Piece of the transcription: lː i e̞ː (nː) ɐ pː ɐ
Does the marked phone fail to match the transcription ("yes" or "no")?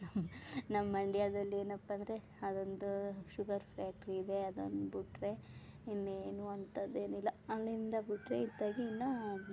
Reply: yes